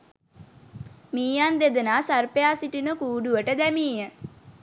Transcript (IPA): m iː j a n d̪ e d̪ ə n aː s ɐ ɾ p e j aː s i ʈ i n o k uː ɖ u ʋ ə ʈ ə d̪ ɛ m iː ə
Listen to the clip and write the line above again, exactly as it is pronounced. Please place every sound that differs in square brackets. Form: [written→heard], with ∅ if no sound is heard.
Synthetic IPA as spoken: m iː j a n d̪ e d̪ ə n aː s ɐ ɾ p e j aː s i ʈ i n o k uː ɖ u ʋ ə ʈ ə d̪ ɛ m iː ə